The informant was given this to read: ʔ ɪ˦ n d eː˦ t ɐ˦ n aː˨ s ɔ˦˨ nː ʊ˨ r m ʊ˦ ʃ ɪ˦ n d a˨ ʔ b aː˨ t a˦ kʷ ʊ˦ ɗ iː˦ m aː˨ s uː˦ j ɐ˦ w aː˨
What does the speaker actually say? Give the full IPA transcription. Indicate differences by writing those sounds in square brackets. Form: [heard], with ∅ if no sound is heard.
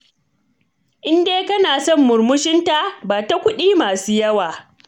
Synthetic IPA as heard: ʔ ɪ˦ n d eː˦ [k] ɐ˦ n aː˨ s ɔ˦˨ [mː] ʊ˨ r m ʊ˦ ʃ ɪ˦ n [t] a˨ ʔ b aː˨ t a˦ kʷ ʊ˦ ɗ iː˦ m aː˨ s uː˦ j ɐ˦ w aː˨